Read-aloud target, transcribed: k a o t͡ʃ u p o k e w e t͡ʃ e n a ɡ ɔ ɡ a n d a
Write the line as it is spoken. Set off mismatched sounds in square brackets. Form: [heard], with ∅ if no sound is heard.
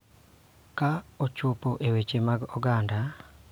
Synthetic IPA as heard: k a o t͡ʃ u p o [ʔ] e w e t͡ʃ e [m] a ɡ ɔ ɡ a n d a